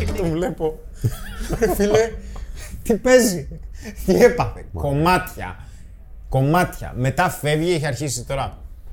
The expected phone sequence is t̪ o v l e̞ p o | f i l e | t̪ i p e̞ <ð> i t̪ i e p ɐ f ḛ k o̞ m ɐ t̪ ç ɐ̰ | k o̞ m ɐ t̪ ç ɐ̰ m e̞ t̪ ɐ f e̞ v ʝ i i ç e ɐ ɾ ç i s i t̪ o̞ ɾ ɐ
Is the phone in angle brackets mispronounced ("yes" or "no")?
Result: yes